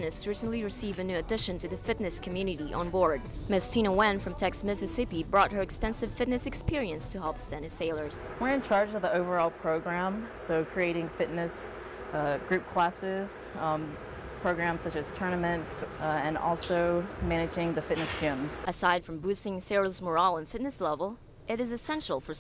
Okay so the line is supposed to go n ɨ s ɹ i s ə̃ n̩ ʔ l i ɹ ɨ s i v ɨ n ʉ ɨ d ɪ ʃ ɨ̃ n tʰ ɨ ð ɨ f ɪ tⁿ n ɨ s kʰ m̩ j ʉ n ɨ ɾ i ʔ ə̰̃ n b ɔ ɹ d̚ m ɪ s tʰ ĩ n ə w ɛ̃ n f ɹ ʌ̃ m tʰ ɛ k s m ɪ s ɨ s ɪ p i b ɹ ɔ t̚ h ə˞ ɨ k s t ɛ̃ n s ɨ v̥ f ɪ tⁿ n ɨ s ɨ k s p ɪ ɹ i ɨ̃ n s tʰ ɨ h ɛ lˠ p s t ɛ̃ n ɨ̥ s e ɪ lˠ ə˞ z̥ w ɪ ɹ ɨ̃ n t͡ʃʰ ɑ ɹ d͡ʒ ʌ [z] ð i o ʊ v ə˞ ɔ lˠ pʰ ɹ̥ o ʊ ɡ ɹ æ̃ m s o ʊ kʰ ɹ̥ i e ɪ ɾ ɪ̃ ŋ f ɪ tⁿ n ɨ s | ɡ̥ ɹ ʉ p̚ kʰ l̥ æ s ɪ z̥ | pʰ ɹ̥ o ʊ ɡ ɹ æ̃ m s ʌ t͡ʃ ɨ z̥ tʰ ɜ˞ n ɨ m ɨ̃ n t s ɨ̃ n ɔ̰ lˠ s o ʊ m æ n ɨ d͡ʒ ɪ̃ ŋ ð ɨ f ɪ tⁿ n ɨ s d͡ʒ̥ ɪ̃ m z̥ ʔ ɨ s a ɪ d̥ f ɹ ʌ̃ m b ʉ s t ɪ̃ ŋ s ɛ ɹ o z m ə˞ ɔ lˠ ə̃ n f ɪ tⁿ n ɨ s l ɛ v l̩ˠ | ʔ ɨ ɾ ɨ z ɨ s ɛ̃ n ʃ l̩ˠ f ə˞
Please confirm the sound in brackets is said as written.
no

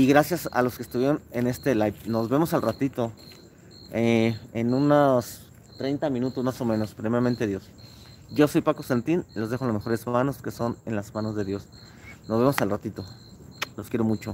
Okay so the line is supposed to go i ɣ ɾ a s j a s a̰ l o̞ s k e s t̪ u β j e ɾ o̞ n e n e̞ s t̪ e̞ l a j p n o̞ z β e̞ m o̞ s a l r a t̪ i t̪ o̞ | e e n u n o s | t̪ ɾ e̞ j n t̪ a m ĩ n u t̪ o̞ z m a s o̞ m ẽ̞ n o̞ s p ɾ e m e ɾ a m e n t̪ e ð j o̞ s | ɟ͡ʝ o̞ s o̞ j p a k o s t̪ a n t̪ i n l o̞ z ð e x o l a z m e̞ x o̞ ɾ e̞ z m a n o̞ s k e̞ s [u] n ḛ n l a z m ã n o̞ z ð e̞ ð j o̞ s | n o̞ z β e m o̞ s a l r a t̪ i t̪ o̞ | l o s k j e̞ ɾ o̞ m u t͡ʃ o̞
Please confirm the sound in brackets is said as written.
no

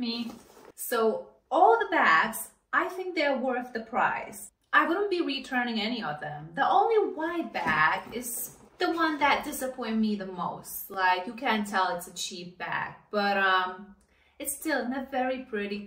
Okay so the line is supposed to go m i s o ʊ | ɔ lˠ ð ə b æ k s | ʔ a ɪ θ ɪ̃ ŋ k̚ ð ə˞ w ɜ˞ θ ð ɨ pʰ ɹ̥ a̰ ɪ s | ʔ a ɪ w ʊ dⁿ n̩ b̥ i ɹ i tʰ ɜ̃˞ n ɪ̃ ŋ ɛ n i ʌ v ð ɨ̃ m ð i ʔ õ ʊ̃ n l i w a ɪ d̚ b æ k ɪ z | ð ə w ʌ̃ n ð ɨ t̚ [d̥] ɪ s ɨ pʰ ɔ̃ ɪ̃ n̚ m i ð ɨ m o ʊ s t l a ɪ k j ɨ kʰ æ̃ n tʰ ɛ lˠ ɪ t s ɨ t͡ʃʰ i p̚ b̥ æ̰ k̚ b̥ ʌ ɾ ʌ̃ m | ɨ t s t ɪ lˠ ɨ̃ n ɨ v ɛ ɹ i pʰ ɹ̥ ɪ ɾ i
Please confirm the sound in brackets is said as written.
yes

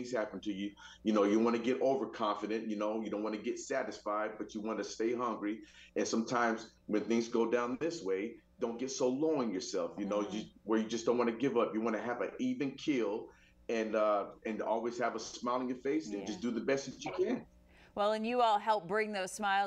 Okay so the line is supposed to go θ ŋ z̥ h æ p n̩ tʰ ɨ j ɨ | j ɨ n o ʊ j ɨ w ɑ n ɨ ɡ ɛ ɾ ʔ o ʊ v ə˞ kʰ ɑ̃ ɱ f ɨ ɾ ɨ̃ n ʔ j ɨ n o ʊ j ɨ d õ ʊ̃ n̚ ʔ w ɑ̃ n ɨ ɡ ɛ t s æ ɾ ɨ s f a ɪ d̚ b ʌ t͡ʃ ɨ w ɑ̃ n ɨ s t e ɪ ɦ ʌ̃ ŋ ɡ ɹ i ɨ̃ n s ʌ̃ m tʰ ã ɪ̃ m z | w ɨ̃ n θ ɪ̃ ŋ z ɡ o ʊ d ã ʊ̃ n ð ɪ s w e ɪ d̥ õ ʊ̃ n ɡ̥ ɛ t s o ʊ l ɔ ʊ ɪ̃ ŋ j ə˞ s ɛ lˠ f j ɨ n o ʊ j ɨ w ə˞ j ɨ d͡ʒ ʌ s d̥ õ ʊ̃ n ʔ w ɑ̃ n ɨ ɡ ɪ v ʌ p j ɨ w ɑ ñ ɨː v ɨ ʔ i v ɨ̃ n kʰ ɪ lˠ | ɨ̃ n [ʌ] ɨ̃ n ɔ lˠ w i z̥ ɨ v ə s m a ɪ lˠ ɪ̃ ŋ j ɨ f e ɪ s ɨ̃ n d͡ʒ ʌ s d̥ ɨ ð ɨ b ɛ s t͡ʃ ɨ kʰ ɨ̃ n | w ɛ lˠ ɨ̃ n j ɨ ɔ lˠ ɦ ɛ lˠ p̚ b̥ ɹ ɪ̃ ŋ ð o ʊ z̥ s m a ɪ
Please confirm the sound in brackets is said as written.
yes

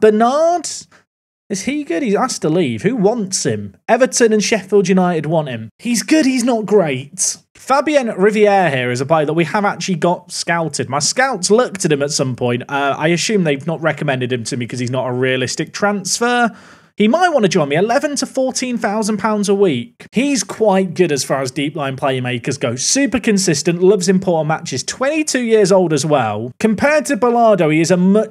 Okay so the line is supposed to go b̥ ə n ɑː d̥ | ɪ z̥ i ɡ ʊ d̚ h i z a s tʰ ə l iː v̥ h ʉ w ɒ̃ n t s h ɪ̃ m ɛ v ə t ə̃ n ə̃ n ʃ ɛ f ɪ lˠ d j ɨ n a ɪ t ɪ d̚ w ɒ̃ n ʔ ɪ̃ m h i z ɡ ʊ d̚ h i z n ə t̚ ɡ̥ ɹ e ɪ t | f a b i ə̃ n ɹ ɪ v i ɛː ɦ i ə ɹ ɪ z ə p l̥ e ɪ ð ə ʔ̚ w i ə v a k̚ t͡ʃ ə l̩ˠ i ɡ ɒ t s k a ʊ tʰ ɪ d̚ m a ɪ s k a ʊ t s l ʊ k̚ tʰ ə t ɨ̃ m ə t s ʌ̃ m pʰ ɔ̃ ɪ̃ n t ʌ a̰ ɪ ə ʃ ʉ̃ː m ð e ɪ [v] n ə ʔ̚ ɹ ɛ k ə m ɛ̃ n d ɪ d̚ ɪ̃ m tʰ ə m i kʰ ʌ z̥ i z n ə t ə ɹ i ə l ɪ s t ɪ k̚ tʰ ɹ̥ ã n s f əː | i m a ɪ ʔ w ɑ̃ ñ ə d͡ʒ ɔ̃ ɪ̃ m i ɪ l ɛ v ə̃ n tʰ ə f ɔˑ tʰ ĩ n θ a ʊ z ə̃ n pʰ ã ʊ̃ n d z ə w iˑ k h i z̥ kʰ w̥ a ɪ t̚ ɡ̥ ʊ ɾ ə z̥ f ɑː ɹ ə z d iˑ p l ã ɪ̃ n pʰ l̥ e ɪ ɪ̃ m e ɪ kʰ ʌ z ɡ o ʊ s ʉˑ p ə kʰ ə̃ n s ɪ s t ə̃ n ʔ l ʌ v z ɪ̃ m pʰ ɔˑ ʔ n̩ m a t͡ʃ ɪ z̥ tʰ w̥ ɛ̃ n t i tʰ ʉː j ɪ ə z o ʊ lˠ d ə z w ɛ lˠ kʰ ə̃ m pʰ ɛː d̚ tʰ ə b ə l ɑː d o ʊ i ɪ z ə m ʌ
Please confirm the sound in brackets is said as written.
yes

